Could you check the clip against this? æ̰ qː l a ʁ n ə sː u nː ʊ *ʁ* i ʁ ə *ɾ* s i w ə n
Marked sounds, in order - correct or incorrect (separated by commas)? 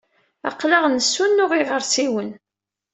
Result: correct, correct